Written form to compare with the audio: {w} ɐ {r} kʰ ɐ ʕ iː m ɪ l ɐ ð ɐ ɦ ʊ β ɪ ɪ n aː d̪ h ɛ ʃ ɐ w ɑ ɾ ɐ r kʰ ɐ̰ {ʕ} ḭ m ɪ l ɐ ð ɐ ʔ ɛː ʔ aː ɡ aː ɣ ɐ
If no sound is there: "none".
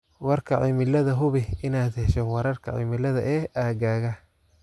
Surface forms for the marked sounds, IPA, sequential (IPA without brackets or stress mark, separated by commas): w, r, ʕ